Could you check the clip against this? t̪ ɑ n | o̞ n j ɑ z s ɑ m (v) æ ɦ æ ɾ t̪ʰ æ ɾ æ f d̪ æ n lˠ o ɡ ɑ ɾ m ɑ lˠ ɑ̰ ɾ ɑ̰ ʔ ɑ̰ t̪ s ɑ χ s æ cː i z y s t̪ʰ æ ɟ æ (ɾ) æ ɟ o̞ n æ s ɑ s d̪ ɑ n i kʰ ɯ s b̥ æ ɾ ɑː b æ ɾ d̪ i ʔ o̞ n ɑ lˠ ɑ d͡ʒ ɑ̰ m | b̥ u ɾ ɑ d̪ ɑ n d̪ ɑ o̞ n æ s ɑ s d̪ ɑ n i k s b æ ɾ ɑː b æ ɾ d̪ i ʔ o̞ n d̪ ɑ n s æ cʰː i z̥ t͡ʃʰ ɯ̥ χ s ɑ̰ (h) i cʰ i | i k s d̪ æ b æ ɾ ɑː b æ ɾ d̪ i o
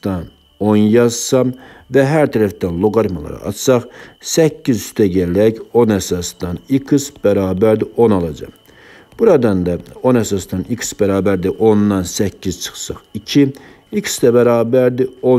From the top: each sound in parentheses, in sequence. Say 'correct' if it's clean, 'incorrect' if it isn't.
correct, incorrect, incorrect

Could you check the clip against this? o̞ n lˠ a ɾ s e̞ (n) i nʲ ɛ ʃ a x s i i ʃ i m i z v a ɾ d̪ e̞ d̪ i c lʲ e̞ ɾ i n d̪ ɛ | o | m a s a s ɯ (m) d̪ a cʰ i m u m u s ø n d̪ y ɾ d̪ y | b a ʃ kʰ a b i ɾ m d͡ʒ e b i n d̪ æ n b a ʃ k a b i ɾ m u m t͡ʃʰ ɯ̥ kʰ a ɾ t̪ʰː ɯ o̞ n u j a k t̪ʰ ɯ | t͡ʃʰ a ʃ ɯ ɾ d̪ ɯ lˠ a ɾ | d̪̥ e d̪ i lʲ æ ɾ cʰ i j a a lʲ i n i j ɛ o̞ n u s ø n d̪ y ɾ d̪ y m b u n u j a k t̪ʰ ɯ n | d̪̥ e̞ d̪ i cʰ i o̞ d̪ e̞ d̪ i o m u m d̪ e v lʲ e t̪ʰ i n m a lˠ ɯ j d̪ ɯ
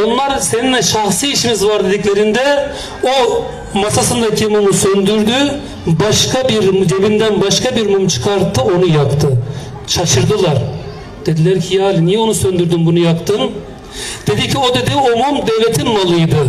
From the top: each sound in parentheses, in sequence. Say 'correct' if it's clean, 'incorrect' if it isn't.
correct, incorrect

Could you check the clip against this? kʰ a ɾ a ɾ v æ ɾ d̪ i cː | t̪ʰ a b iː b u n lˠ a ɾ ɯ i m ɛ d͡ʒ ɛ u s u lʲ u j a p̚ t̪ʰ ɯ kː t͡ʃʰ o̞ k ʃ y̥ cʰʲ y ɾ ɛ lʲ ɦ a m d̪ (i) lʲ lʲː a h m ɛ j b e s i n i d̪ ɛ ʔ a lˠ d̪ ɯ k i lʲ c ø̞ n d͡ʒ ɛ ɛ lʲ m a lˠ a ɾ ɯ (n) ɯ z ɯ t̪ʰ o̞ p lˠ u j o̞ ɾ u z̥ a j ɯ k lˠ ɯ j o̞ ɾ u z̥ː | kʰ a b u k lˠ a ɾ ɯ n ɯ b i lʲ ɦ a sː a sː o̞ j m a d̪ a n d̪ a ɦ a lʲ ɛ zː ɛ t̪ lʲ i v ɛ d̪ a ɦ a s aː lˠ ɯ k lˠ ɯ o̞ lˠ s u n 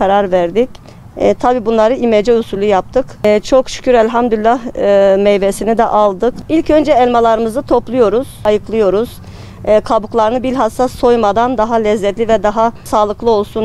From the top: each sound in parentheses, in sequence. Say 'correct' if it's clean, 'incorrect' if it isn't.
incorrect, incorrect

